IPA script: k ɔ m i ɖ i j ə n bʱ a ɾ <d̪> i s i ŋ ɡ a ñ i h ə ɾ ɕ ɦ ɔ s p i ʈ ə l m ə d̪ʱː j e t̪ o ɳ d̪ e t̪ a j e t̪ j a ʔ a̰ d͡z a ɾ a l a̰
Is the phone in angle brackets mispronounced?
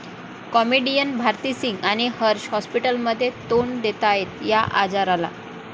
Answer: yes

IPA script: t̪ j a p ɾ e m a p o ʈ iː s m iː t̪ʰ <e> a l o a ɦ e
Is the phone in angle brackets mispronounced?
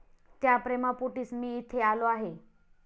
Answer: no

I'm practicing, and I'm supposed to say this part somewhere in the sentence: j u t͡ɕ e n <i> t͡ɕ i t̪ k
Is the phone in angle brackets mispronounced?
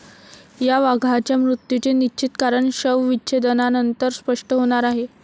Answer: no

